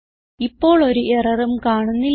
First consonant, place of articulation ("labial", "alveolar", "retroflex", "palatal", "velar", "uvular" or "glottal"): labial